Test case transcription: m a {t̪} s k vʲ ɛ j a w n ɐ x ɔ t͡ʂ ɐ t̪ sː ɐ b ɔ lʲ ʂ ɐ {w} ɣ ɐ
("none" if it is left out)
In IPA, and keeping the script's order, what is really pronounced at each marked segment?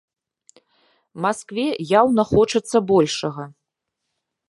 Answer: none, none

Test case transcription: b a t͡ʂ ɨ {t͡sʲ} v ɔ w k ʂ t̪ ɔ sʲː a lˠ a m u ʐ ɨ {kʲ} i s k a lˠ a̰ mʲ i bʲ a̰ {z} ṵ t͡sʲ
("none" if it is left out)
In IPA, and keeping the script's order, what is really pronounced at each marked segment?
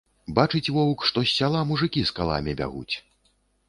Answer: t͡sʲ, kʲ, ɣ

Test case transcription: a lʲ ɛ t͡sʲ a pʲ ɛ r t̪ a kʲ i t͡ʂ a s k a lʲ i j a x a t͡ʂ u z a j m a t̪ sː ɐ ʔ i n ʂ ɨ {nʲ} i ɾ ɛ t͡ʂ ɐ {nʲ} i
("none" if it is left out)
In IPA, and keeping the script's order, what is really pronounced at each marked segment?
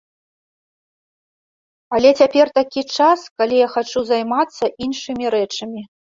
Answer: mʲ, mʲ

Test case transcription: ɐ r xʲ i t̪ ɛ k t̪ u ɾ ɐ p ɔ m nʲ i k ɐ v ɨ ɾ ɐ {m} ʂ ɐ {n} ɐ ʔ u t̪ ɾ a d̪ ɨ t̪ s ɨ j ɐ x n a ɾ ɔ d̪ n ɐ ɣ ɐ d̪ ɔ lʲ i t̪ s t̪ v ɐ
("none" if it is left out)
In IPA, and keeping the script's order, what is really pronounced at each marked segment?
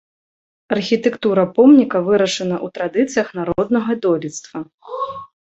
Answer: none, n

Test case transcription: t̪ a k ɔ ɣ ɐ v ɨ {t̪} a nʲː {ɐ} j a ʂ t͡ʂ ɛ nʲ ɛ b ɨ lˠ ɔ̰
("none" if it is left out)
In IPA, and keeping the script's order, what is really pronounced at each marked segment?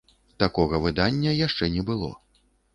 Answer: d̪, ɐ

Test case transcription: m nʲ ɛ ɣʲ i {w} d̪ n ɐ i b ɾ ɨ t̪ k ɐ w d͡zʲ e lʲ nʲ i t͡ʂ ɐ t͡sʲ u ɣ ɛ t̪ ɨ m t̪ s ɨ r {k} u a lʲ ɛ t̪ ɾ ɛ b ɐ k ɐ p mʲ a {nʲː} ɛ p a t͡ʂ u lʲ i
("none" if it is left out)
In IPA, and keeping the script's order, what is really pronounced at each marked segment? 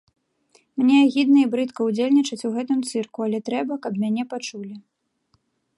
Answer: none, k, nʲ

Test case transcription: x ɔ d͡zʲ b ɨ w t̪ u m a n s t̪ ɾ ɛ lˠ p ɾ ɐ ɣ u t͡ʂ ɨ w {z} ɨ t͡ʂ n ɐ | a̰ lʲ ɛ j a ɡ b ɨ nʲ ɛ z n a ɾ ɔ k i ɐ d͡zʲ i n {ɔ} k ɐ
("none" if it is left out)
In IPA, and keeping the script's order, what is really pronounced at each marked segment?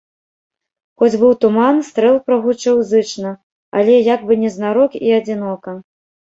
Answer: z, ɔ

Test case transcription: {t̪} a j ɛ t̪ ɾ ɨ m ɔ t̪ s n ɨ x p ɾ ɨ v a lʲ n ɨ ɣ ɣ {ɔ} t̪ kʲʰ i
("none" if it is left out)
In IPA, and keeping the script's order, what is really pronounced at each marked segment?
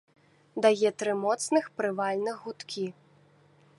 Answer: d̪, u

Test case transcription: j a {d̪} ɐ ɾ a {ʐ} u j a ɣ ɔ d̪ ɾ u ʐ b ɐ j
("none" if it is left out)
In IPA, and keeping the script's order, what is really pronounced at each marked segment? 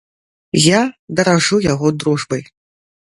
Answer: d̪, ʐ

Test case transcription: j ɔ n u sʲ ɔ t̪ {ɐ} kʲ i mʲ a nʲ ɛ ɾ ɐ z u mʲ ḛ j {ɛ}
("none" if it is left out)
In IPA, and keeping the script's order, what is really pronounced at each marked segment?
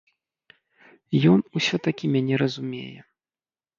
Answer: a, ɛ

